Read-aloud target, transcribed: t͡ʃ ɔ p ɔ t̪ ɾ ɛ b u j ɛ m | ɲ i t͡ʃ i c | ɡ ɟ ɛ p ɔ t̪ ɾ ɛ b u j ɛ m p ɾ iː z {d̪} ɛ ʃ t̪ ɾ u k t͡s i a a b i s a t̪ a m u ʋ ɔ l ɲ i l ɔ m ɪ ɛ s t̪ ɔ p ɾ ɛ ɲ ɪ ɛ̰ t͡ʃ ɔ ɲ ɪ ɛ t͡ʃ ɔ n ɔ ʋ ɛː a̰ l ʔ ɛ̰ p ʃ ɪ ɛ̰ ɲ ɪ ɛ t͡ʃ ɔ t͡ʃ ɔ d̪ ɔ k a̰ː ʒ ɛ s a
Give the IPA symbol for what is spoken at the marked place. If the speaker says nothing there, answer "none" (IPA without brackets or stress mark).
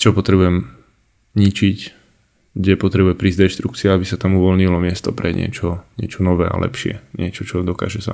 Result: d̪